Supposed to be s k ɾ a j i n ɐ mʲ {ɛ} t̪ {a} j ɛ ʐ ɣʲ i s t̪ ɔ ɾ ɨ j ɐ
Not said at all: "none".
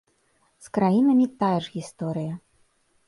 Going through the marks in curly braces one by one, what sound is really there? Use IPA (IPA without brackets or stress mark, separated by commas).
i, a